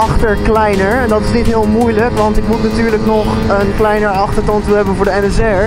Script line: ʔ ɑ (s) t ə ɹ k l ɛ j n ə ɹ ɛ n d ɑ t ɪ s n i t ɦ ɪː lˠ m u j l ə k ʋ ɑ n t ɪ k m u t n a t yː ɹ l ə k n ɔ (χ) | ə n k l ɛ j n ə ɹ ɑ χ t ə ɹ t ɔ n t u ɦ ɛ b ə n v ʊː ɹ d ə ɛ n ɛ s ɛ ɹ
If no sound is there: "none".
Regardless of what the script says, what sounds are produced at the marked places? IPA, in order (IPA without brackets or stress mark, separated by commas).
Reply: χ, χ